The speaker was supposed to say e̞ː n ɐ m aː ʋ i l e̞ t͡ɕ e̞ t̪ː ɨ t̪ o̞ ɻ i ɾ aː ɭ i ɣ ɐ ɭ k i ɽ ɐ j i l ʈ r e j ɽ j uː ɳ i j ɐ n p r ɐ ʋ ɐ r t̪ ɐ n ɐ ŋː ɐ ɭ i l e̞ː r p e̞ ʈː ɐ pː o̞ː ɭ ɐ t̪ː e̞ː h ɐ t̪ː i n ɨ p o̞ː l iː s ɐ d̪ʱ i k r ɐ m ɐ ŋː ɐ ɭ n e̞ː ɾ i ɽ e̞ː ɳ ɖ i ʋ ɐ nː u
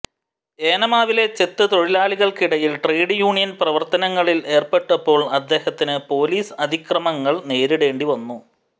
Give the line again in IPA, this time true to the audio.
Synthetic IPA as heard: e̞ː n ɐ m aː ʋ i l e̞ t͡ɕ e̞ t̪ː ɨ t̪ o̞ ɻ i l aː ɭ i ɣ ɐ ɭ k i ɽ ɐ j i l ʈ r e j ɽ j uː ɳ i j ɐ n p r ɐ ʋ ɐ r t̪ ɐ n ɐ ŋː ɐ ɭ i l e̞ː r p e̞ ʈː ɐ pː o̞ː ɭ ɐ d̪ː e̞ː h ɐ t̪ː i n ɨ p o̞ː l iː s ɐ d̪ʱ i k r ɐ m ɐ ŋː ɐ ɭ n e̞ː ɾ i ɽ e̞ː ɳ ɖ i ʋ ɐ nː u